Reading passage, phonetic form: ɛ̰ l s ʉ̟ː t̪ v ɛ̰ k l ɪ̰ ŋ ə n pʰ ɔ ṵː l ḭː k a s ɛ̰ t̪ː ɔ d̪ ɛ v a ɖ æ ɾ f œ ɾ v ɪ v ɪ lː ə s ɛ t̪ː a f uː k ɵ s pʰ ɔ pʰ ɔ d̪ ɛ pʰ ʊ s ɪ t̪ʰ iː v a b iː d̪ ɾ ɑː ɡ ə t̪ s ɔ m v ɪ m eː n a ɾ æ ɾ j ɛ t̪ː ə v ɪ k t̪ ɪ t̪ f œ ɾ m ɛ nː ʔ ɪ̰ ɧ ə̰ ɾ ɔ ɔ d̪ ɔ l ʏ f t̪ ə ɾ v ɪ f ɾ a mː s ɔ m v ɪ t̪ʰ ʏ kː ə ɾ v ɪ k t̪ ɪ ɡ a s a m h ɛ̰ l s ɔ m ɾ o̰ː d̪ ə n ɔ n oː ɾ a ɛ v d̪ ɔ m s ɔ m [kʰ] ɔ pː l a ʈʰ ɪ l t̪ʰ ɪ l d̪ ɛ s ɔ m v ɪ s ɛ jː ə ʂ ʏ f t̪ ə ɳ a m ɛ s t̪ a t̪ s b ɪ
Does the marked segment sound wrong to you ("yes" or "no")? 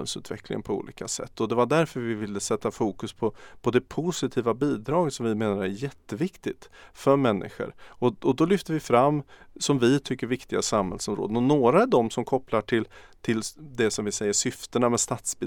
no